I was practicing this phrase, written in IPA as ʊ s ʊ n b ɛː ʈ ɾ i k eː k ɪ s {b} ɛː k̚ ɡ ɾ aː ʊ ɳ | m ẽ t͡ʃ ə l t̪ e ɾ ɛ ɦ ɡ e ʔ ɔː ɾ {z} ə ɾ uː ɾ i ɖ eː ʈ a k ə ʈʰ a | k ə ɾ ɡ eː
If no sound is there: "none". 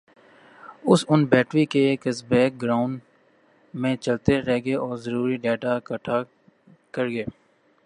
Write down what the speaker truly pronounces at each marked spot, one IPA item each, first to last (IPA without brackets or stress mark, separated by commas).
b, z